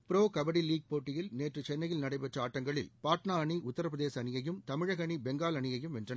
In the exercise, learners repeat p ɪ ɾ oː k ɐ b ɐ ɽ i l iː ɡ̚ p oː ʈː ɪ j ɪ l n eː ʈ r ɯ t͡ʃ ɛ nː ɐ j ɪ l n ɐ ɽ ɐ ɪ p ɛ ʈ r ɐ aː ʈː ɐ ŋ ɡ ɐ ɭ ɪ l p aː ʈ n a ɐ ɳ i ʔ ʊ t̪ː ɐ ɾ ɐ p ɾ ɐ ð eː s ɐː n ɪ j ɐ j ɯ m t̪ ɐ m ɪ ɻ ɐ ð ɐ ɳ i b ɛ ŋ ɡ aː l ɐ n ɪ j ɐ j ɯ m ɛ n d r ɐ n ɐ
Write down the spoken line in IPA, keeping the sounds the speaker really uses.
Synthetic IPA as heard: p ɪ ɾ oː k ɐ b ɐ ɽ i l iː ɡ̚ p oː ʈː ɪ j ɪ l n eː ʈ r ɯ t͡ʃ ɛ nː ɐ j ɪ l n ɐ ɽ ɐ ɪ p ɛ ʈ r ɐ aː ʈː ɐ ŋ ɡ ɐ ɭ ɪ l p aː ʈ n a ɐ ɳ i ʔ ʊ t̪ː ɐ ɾ ɐ p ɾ ɐ ð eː s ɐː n ɪ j ɐ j ɯ m t̪ ɐ m ɪ ɻ ɐ ɣ ɐ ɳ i b ɛ ŋ ɡ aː l ɐ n ɪ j ɐ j ɯ m ɛ n d r ɐ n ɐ